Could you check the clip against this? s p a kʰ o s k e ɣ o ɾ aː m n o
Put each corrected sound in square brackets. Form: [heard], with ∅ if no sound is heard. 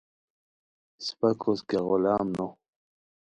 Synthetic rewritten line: s p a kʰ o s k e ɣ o [l] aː m n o

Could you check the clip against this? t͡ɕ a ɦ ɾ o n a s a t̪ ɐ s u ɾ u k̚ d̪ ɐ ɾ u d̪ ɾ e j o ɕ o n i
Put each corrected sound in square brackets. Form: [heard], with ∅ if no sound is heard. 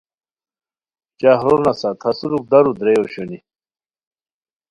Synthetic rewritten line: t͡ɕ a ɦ ɾ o n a s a [t̪ʰ] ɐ s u ɾ u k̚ d̪ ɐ ɾ u d̪ ɾ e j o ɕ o n i

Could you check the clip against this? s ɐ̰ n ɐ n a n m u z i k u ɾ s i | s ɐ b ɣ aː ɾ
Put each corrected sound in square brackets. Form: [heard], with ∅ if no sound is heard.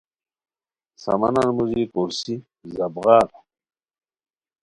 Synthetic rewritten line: s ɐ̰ [m] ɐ n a n m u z i k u ɾ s i | [z] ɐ b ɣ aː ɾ

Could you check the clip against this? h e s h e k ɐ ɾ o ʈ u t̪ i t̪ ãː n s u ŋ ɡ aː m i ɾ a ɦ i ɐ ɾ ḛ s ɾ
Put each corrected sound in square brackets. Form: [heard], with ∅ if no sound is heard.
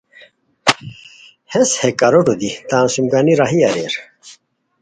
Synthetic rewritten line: h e s h e k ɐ ɾ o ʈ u [d̪] i t̪ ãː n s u [m] ɡ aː [n] i ɾ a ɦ i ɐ ɾ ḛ [∅] ɾ

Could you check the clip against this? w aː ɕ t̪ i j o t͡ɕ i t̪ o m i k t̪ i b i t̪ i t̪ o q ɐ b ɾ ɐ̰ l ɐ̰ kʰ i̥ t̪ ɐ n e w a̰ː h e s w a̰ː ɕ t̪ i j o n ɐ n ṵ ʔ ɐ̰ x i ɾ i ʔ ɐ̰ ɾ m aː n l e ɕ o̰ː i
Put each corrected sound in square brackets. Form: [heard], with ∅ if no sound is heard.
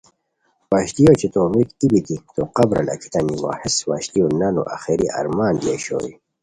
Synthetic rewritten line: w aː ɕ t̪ i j o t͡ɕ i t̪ o m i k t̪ i b i t̪ i t̪ o q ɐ b ɾ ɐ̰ l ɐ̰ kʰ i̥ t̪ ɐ n [i] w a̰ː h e s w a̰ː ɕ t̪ i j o n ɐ n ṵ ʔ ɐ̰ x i ɾ i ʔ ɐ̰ ɾ m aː n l e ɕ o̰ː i

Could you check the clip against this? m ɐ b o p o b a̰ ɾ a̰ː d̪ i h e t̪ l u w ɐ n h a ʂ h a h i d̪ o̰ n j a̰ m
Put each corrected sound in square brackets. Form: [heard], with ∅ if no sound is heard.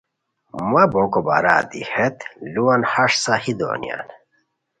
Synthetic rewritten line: m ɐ b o [k] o b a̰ ɾ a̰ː d̪ i h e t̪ l u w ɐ n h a ʂ [s] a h i d̪ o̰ n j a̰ [n]

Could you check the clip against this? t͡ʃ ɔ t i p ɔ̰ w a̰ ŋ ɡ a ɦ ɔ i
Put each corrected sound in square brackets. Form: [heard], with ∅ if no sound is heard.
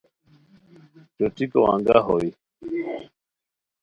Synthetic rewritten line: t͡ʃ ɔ t i [k] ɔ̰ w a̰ ŋ ɡ a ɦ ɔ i

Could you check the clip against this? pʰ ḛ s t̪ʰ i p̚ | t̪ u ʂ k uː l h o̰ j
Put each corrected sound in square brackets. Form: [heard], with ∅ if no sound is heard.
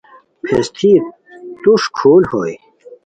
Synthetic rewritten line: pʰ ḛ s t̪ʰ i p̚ | t̪ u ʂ [kʰ] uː l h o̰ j

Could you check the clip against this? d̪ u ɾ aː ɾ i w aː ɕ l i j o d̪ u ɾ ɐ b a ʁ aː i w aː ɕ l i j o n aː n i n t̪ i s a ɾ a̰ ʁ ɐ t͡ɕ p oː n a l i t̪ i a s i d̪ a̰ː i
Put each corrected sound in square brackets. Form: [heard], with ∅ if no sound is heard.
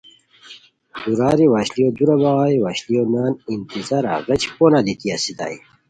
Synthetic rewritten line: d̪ u ɾ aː ɾ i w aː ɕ l i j o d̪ u ɾ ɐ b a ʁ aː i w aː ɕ l i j o n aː n i n t̪ i [z] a ɾ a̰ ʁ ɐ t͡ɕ p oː n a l i t̪ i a s i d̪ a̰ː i

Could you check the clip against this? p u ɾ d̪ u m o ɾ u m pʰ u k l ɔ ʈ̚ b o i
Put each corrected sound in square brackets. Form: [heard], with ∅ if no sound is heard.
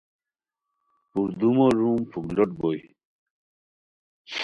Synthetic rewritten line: p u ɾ d̪ u m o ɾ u m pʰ u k l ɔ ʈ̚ b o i

